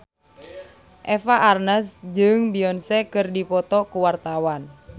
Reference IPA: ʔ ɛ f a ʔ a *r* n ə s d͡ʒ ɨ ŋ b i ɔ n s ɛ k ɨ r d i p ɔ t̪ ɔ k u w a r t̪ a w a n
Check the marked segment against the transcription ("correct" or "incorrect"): correct